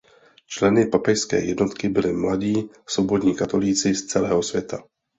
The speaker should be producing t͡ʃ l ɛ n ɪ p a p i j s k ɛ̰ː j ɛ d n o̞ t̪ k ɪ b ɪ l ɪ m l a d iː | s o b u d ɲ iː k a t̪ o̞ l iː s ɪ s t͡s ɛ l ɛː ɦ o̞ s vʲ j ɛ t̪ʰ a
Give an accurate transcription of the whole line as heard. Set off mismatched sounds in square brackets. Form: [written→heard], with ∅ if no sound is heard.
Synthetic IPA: t͡ʃ l ɛ n ɪ p a p [i→ɛ] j s k ɛ̰ː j ɛ d n o̞ t̪ k ɪ b ɪ l ɪ m l a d iː | s o b [u→o] d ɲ iː k a t̪ o̞ l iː [s→t͡s] ɪ s t͡s ɛ l ɛː ɦ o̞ s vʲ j ɛ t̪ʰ a